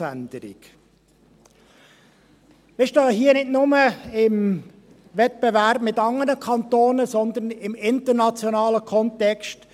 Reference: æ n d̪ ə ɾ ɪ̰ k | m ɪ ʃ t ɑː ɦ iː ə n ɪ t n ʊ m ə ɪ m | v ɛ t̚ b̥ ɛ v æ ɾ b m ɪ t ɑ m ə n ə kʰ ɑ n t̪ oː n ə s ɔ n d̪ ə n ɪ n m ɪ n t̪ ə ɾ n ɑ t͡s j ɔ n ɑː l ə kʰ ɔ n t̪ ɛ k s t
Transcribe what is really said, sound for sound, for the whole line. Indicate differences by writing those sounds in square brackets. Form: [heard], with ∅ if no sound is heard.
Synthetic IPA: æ n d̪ ə ɾ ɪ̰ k | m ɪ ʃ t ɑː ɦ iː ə n ɪ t n ʊ m ə ɪ m | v ɛ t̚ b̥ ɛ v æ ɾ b m ɪ t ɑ [ŋ] ə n ə kʰ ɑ n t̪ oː n ə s ɔ n d̪ ə n ɪ [∅] m ɪ n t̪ ə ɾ n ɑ t͡s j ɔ n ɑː l ə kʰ ɔ n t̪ ɛ k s t